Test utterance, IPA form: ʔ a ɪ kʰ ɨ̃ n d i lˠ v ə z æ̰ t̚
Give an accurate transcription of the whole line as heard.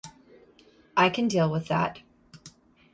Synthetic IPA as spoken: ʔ a ɪ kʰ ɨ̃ n d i lˠ w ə ð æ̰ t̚